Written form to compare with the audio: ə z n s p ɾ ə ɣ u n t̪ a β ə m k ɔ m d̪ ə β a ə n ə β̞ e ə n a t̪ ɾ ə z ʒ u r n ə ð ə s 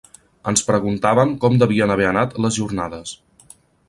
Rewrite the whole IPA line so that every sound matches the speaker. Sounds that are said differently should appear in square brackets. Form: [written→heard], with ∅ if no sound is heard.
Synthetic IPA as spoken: ə [z→∅] n s p ɾ ə ɣ u n t̪ a β ə m k ɔ m d̪ ə β [a→i] ə n ə β̞ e ə n a t̪ [ɾ→l] ə z ʒ u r n [ə→a] ð ə s